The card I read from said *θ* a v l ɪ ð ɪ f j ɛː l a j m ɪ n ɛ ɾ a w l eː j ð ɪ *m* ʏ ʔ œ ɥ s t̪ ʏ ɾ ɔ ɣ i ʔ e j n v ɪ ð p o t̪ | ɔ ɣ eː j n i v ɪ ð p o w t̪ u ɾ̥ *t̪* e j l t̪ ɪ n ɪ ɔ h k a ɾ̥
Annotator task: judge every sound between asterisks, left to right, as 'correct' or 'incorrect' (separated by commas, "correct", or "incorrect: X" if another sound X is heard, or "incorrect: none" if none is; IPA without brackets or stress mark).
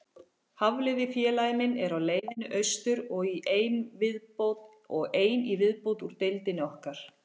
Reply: incorrect: h, incorrect: n, correct